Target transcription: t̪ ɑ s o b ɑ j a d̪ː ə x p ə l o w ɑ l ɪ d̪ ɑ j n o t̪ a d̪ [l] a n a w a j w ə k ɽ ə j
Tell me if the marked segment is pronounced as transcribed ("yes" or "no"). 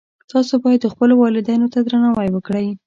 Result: no